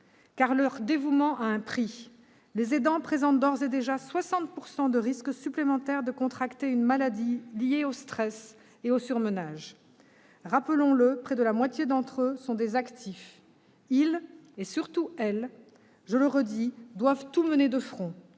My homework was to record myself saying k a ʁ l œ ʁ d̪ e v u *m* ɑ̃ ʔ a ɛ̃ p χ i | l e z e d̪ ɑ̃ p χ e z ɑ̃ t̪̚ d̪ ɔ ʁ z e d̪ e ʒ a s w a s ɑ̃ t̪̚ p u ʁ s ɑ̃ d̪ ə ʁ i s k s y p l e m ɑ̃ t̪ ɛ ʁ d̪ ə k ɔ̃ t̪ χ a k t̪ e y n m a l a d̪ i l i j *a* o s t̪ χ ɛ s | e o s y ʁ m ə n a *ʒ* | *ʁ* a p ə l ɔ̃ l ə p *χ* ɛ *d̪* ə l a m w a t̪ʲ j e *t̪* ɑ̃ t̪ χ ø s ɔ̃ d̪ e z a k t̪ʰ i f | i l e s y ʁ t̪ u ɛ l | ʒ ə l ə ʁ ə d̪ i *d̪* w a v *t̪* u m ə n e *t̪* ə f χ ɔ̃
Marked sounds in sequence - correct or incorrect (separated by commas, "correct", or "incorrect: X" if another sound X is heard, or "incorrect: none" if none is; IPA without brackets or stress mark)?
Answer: correct, incorrect: e, correct, correct, correct, correct, incorrect: d̪, correct, correct, incorrect: d̪